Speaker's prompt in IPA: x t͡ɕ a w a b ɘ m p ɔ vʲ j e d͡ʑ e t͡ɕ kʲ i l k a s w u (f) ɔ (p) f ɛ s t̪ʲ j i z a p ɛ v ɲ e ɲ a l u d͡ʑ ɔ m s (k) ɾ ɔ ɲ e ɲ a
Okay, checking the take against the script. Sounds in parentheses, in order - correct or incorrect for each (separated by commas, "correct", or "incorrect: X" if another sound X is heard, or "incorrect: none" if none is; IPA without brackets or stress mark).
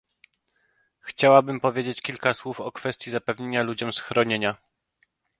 correct, incorrect: k, incorrect: x